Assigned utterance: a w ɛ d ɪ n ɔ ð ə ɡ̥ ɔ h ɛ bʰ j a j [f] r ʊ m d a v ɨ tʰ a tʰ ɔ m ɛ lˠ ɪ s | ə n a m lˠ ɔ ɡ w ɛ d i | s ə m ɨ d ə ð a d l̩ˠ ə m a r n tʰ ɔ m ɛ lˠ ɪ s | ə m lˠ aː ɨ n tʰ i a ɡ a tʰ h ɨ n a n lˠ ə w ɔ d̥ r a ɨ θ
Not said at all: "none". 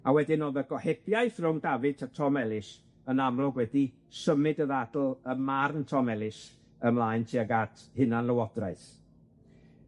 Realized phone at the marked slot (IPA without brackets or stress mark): θ